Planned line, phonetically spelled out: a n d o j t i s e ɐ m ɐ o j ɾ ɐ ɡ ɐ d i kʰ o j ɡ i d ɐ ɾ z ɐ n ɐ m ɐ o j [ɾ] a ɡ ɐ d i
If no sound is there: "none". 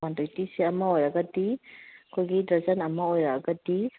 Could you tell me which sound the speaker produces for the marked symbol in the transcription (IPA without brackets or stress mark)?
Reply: ɾ